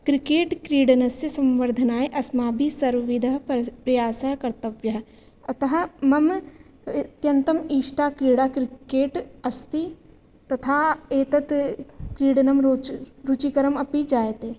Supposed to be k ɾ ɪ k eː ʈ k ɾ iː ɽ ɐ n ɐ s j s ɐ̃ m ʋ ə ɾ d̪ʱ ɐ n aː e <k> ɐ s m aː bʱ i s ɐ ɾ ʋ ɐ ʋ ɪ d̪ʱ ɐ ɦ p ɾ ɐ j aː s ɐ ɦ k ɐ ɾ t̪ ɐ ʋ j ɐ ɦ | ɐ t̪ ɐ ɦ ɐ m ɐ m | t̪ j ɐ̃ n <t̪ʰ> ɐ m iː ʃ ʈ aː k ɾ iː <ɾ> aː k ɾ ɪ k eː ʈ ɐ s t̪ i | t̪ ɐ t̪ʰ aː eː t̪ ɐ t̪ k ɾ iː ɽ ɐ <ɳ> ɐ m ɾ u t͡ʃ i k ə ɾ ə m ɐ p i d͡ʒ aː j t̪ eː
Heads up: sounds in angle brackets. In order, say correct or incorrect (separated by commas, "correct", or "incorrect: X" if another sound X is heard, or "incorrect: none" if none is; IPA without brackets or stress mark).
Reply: incorrect: ʔ, incorrect: t̪, incorrect: ɽ, incorrect: n